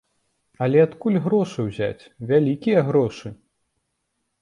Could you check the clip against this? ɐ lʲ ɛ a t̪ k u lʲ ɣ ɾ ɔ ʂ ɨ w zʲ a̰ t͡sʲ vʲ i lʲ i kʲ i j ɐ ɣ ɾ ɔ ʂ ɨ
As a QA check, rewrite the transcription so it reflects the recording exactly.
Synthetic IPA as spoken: ɐ lʲ ɛ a t̪ k u lʲ ɣ ɾ ɔ ʂ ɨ w zʲ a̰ t͡sʲ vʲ a lʲ i kʲ i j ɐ ɣ ɾ ɔ ʂ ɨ